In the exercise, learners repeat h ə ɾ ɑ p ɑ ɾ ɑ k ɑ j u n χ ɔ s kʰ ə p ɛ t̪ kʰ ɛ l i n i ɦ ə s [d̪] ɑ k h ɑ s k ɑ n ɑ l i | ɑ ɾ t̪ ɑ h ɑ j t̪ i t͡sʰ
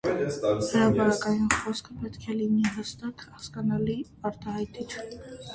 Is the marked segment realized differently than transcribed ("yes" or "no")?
yes